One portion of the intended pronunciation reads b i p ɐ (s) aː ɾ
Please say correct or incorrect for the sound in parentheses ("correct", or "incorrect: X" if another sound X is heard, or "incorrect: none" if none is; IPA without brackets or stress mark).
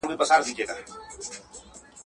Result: correct